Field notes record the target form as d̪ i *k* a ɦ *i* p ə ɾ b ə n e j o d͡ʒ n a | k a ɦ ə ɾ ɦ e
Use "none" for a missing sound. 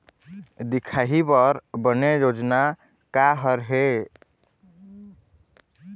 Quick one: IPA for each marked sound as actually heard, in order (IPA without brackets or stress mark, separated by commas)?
kʰ, i